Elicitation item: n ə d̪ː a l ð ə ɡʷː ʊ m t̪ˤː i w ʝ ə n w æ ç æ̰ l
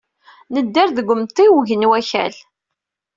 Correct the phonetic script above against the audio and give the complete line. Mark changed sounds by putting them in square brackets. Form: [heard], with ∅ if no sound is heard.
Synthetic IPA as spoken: n ə d̪ː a [ɾ] ð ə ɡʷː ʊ m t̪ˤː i w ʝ ə n w æ ç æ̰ l